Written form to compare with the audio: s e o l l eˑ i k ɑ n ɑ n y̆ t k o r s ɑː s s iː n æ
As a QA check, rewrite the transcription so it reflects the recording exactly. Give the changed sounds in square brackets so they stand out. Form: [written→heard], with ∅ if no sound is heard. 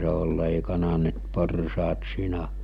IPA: s e o l l eˑ i k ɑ n ɑ n y̆ t [k→p] o r s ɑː [s→t] s iː n æ